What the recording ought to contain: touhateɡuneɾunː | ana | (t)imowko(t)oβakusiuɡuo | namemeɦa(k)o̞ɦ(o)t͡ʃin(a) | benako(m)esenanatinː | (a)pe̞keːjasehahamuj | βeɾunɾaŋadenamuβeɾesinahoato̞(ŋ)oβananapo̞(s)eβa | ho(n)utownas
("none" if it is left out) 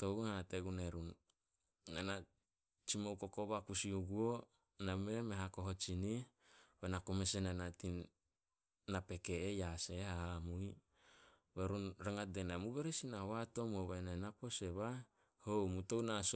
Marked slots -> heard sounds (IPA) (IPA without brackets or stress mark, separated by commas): t͡ʃ, k, k, o, i, m, a, m, s, m